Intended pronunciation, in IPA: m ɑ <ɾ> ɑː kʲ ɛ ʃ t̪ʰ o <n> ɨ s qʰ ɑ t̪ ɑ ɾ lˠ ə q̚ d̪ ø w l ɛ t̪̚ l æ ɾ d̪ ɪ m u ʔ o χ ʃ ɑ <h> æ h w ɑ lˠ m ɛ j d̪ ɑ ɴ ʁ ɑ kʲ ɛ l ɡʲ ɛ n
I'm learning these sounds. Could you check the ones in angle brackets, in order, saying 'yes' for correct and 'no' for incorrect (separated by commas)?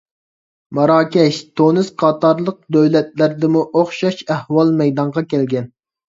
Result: yes, yes, no